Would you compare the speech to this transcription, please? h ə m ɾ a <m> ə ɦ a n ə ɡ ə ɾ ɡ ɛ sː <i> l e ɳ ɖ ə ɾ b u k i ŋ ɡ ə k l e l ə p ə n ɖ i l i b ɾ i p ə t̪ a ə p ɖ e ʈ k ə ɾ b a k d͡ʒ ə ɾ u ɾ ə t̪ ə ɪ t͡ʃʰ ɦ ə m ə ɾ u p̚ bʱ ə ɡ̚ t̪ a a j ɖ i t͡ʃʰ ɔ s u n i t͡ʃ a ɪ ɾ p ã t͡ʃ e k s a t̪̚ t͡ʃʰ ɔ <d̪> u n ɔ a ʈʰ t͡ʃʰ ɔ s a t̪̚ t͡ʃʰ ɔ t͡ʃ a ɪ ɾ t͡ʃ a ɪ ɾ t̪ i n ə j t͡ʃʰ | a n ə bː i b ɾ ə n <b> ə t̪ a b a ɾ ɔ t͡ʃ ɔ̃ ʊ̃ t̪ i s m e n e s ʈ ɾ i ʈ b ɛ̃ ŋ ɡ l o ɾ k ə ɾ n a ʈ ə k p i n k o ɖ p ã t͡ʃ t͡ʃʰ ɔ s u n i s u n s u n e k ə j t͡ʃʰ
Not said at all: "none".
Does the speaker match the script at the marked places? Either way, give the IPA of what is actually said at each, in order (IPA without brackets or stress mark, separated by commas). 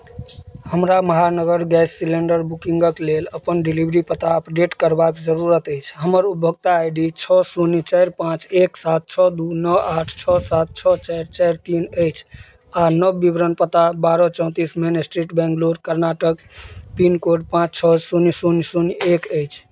m, i, d̪, p